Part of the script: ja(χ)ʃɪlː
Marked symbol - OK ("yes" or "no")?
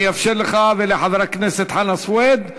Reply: no